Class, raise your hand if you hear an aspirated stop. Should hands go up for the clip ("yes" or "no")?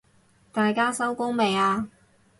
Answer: no